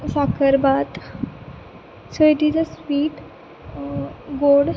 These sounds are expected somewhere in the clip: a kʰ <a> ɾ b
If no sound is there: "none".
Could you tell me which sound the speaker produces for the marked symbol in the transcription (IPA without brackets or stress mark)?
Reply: ə